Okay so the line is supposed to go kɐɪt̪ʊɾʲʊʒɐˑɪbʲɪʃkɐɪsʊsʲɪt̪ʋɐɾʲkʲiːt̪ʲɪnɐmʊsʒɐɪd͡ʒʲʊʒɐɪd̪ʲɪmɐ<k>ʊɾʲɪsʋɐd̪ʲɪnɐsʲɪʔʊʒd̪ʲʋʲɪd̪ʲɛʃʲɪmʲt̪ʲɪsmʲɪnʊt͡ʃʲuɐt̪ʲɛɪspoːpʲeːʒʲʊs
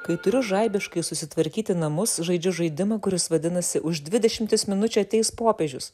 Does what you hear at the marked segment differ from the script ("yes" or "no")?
no